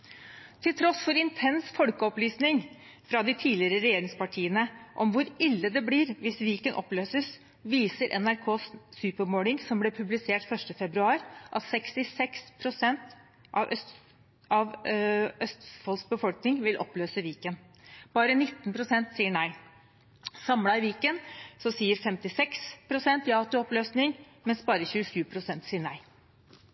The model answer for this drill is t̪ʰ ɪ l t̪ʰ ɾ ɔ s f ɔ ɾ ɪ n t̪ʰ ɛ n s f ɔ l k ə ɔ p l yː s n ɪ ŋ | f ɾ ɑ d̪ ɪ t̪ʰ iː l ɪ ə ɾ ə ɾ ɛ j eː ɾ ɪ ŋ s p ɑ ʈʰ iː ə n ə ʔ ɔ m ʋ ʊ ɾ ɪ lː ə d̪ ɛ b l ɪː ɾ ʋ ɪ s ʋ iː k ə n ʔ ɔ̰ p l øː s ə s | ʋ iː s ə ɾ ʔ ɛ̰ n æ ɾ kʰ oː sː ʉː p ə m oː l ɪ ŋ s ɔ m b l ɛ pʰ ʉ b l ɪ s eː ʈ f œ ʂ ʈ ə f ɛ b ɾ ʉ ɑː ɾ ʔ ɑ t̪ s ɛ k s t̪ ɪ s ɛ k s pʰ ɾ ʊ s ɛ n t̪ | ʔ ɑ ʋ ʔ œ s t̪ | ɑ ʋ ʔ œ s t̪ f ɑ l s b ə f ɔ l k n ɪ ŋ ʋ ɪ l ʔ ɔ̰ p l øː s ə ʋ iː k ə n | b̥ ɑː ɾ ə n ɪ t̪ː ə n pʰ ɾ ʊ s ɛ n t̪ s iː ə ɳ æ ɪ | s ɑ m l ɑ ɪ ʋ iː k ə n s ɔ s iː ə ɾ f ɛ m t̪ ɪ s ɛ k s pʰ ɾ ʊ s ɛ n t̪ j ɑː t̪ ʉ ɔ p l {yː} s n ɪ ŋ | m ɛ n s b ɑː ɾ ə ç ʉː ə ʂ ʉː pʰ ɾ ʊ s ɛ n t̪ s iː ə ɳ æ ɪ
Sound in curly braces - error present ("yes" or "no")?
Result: yes